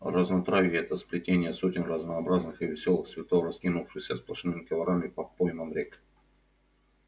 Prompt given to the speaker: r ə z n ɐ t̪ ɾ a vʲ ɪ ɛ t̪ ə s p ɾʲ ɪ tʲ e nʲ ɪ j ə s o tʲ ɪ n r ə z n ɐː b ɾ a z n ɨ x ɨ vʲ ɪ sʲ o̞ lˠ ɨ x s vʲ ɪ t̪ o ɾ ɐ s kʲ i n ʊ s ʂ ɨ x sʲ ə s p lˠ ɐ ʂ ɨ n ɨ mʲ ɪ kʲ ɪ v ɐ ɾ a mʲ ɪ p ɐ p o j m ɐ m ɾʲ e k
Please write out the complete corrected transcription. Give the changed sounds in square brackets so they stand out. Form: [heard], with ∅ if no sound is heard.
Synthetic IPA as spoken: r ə z n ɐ t̪ ɾ a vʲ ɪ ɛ t̪ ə s p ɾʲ ɪ tʲ e nʲ ɪ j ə s o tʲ ɪ n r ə z n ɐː b ɾ a z n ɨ x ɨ vʲ ɪ sʲ o̞ lˠ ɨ x s vʲ ɪ t̪ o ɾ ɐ s kʲ i n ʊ [f] ʂ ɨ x sʲ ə s p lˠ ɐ ʂ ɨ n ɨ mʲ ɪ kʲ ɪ v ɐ ɾ a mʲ ɪ p ɐ p o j m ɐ m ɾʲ e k

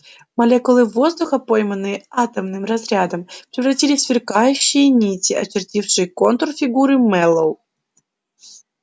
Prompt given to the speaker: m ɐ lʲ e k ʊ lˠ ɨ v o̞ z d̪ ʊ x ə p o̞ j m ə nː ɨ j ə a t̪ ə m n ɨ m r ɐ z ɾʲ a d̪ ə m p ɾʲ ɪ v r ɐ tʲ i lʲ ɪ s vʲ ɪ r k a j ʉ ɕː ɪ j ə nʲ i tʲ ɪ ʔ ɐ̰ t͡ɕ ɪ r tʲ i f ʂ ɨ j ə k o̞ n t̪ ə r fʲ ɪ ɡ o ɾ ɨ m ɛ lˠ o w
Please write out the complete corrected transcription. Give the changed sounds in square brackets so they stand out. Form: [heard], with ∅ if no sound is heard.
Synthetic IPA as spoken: m ɐ lʲ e k ʊ lˠ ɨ v o̞ z d̪ ʊ x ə p o̞ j m ə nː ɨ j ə a t̪ ə m n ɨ m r ɐ z ɾʲ a d̪ ə m p ɾʲ ɪ v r ɐ tʲ i lʲ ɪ s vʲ ɪ r k a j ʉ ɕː ɪ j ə nʲ i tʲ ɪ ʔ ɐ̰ t͡ɕ ɪ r tʲ i f ʂ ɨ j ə k o̞ n t̪ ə r fʲ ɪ ɡ [u] ɾ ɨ m ɛ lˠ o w

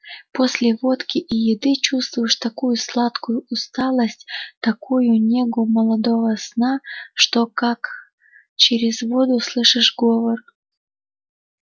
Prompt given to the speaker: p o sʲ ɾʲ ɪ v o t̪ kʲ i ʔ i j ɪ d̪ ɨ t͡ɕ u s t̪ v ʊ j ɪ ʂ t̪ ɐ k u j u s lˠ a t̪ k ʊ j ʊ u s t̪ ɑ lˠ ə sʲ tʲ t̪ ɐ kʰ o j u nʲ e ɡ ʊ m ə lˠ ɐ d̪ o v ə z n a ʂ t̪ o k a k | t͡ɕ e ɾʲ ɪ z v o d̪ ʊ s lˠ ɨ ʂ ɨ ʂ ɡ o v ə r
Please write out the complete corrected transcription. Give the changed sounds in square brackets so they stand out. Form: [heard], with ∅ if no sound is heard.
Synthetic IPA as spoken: p o sʲ [lʲ] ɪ v o t̪ kʲ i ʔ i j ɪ d̪ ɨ t͡ɕ u s t̪ v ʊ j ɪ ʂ t̪ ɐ k u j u s lˠ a t̪ k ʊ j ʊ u s t̪ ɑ lˠ ə sʲ tʲ t̪ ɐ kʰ [u] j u nʲ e ɡ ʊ m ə lˠ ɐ d̪ o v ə [s] n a ʂ t̪ o k a k | t͡ɕ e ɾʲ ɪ z v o d̪ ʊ s lˠ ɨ ʂ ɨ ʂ ɡ o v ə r

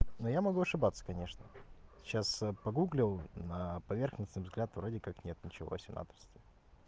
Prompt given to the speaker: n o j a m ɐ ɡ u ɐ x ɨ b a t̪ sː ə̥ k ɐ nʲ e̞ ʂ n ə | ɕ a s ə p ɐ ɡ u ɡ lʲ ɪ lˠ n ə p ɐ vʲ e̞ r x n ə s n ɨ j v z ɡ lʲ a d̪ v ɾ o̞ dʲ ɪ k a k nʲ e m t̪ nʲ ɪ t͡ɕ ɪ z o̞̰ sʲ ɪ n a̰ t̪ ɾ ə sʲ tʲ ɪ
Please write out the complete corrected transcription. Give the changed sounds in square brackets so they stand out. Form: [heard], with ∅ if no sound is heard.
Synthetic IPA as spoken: n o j a m ɐ ɡ u ɐ [ʂ] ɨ b a t̪ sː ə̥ k ɐ nʲ e̞ ʂ n ə | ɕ a s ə p ɐ ɡ u ɡ lʲ ɪ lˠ n ə p ɐ vʲ e̞ r x n ə s n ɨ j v z ɡ lʲ a [t̪] v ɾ o̞ dʲ ɪ k a k nʲ e [∅] t̪ nʲ ɪ t͡ɕ ɪ [v] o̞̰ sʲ ɪ n a̰ t̪ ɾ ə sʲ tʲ ɪ

